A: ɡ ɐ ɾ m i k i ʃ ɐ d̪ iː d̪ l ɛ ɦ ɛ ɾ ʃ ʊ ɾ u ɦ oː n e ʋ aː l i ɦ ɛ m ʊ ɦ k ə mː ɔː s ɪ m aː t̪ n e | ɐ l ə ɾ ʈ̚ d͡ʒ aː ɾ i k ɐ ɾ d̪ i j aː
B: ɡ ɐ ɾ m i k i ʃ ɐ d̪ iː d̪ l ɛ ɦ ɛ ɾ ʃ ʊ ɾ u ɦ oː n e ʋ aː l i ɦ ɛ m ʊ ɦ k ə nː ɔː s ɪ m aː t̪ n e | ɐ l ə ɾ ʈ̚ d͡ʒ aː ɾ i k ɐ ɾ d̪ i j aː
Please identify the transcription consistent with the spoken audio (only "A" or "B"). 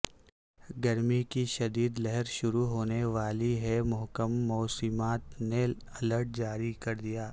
A